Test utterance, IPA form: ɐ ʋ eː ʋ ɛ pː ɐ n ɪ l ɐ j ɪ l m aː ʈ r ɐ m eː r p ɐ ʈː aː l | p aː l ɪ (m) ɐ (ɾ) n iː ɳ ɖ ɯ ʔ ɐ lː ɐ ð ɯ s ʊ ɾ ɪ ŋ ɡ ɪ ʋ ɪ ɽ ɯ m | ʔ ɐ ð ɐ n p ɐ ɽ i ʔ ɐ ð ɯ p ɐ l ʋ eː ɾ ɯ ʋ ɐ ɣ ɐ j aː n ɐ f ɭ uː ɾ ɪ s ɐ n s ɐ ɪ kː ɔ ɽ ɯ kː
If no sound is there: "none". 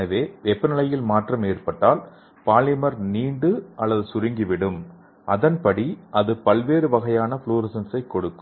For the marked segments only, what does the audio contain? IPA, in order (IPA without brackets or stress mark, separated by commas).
m, ɾ